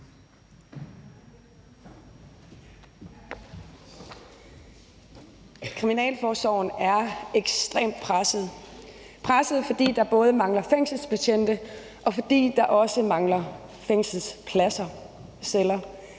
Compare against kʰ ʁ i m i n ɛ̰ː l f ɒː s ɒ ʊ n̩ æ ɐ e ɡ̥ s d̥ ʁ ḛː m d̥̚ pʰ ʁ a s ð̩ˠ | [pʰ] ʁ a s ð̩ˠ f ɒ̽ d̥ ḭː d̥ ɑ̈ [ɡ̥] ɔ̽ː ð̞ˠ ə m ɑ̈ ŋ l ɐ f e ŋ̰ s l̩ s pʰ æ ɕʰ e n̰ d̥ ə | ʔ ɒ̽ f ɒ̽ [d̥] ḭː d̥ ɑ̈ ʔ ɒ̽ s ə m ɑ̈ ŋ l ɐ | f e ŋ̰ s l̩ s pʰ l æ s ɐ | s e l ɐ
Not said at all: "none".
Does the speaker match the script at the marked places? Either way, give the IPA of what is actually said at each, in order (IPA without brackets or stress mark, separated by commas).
pʰ, b̥, d̥